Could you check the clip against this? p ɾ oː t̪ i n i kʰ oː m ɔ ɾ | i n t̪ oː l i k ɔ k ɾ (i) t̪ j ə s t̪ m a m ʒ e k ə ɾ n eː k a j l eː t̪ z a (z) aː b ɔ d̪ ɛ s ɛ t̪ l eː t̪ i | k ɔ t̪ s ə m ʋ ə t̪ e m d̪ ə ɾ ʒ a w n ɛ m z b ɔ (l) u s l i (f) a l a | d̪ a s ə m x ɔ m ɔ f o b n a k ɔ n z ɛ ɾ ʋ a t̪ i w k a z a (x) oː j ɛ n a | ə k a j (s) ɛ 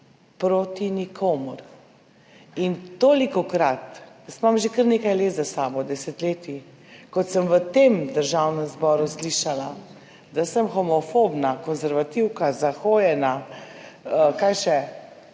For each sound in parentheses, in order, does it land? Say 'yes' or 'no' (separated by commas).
no, no, no, no, yes, no